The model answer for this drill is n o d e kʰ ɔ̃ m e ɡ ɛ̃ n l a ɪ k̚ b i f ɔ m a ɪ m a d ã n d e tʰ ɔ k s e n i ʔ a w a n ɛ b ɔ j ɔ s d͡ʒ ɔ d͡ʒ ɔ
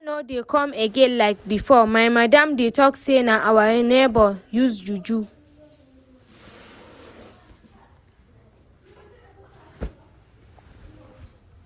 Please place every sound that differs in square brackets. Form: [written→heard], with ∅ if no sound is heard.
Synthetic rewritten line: n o d e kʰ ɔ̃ m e ɡ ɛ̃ n l a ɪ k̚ b i f ɔ m a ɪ m a d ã [n→m] d e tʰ ɔ k s e n [i→a] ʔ a w a n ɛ b ɔ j [ɔ→u] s d͡ʒ [ɔ→u] d͡ʒ [ɔ→u]